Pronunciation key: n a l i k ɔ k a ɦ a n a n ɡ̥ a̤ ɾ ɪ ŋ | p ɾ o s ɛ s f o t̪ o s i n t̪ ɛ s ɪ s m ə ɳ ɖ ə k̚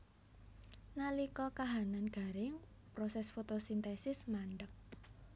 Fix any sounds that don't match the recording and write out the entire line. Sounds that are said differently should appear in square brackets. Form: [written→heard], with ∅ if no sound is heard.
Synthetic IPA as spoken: n a l i k ɔ k a ɦ a n a n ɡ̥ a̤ ɾ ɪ ŋ | p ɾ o s ɛ s f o t̪ o s i n t̪ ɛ s ɪ s m [ə→a] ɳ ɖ ə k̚